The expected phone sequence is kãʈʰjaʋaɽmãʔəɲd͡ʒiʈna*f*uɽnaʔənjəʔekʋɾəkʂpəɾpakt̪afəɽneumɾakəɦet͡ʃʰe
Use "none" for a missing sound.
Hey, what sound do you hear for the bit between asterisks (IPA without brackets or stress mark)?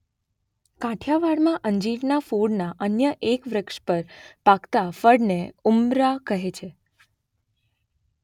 f